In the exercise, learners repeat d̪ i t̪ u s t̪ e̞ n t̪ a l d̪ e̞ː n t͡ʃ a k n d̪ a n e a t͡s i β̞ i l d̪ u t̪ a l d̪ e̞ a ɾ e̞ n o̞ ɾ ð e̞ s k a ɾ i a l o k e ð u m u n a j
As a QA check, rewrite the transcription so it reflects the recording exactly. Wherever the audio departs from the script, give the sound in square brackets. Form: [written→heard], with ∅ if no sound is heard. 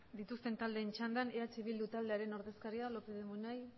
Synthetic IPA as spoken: d̪ i t̪ u s t̪ e̞ n t̪ a l d̪ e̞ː n t͡ʃ a [k→∅] n d̪ a n e a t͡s i β̞ i l d̪ u t̪ a l d̪ e̞ a ɾ e̞ n o̞ ɾ ð e̞ s k a ɾ i a l o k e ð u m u n a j